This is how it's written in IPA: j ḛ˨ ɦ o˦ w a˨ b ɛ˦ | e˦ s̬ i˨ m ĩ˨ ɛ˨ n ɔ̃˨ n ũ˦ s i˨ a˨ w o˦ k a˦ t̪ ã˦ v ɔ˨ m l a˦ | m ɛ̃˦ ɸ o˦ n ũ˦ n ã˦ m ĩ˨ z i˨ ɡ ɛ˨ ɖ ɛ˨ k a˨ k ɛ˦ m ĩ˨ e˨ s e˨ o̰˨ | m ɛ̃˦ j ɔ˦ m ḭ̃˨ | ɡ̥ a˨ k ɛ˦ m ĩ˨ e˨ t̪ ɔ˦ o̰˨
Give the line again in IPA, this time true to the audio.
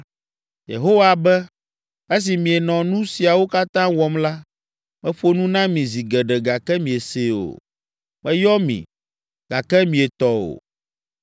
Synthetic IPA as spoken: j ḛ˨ ɦ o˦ w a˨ b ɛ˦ | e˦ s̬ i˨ m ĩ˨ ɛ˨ n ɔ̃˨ n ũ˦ s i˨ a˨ w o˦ k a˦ t̪ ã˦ w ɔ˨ m l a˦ | m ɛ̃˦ ɸ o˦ n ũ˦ n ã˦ m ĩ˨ z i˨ ɡ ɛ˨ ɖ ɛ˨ ɡ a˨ k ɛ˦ m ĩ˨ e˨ s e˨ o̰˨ | m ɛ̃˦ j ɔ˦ m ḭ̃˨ | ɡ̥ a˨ k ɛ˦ m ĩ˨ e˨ t̪ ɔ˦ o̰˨

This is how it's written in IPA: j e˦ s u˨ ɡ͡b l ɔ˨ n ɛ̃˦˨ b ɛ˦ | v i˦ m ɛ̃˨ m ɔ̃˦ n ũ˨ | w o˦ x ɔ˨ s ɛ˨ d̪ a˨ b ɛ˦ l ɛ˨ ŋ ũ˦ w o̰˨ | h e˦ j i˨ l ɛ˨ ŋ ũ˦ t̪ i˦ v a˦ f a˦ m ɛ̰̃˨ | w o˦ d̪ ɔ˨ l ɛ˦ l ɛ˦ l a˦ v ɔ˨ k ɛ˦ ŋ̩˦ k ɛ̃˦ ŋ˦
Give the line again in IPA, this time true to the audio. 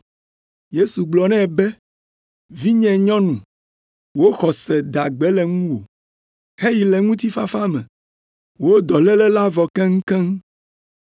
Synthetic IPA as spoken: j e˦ s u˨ ɡ͡b l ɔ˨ n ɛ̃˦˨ b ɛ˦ | v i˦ ɲ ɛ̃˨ ɲ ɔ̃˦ n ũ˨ | w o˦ x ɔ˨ s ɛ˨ d̪ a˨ ɡ͡b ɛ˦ l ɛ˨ ŋ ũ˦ w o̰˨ | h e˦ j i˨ l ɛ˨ ŋ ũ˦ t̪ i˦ f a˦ f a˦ m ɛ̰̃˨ | w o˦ d̪ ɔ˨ l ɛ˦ l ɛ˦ l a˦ v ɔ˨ k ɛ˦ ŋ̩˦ k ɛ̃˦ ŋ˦

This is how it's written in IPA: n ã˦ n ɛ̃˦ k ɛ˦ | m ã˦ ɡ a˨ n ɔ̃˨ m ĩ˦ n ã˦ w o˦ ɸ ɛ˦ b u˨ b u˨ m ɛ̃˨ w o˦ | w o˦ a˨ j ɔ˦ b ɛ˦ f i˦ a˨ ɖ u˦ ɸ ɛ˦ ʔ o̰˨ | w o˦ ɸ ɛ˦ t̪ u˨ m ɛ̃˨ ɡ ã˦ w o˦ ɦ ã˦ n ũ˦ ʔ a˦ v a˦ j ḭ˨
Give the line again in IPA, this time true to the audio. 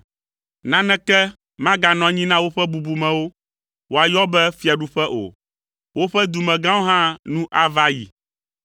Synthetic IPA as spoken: n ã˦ n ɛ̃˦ k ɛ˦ | m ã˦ ɡ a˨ n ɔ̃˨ ɲ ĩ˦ n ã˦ w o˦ ɸ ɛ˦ b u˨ b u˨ m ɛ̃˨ w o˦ | w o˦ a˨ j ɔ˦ b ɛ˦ f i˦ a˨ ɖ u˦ ɸ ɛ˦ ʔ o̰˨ | w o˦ ɸ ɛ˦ d̪ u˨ m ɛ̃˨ ɡ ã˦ w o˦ ɦ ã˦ n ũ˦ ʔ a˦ v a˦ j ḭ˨

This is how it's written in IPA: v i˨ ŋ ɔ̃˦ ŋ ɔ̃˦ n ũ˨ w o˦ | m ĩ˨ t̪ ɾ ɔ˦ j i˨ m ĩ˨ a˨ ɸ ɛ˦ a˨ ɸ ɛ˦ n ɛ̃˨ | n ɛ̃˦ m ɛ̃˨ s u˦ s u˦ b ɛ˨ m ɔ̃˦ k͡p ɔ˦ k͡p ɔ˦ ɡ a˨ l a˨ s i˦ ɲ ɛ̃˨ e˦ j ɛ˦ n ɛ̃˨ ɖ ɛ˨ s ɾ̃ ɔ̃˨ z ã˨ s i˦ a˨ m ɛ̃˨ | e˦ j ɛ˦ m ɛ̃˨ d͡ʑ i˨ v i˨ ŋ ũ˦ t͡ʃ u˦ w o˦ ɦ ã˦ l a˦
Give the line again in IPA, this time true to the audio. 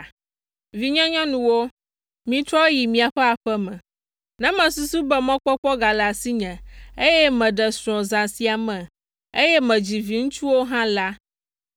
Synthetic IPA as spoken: v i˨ ɲ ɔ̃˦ ɲ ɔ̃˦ n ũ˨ w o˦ | m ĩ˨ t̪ ɾ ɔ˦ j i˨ m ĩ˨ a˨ ɸ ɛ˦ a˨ ɸ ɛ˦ m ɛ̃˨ | n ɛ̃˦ m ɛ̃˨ s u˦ s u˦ b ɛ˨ m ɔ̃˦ k͡p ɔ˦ k͡p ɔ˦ ɡ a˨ l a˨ s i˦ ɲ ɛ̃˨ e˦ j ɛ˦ m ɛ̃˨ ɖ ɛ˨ s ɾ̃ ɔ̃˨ z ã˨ s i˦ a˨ m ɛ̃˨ | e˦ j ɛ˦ m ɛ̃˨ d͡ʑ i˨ v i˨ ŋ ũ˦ t͡ʃ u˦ w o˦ ɦ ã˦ l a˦

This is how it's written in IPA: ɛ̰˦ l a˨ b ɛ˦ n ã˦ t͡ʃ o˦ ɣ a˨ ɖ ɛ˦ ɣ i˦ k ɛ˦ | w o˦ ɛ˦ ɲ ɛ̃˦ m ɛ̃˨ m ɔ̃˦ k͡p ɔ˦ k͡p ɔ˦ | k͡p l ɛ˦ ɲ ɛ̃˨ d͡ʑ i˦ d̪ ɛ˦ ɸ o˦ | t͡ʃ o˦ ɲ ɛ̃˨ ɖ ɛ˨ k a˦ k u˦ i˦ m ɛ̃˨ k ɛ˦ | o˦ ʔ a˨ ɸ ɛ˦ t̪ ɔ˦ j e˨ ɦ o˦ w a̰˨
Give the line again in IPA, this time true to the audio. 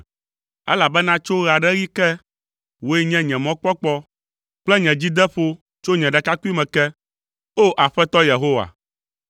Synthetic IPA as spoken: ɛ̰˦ l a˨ b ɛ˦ n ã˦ t͡ʃ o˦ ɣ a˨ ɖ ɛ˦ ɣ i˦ k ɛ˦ | w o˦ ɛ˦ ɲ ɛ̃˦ ɲ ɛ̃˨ m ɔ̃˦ k͡p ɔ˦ k͡p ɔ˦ | k͡p l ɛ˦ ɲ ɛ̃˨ d͡ʑ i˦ d̪ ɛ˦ ɸ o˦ | t͡ʃ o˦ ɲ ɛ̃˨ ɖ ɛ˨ k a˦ k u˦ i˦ m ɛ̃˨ k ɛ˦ | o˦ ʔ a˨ ɸ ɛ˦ t̪ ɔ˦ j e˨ ɦ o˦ w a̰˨

